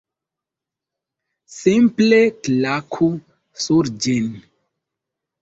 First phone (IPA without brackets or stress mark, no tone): s